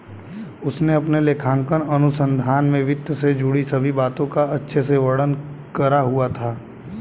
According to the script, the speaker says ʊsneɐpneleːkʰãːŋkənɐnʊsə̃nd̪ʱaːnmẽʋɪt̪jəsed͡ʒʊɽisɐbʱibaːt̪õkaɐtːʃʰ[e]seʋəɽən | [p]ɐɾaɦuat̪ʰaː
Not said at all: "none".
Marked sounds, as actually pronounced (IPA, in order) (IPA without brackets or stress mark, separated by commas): e, k